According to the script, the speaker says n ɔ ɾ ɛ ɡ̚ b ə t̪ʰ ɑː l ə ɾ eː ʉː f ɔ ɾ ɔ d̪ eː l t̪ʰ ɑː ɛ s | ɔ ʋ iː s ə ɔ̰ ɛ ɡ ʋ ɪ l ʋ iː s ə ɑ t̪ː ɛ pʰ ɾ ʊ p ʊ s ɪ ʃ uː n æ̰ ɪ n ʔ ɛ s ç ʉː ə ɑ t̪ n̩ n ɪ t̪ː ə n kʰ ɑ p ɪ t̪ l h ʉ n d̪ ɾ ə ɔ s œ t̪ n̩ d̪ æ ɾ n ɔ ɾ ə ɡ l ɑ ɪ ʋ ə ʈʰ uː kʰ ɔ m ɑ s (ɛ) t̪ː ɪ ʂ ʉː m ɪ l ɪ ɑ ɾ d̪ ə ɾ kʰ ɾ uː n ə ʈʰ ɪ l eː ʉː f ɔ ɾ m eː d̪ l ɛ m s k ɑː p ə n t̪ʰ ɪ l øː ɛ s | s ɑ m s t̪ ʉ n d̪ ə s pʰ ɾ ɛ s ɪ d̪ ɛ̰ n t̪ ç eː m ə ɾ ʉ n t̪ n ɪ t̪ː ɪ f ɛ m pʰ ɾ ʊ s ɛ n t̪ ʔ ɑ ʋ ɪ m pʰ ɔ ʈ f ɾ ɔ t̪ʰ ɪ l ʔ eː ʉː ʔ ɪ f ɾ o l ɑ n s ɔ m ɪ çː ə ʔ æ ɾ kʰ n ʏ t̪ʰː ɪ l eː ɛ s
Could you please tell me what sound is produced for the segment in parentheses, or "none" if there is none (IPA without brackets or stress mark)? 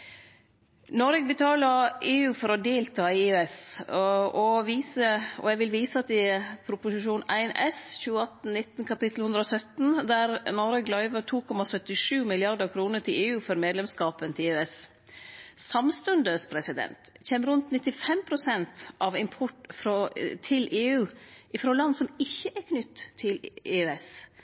œ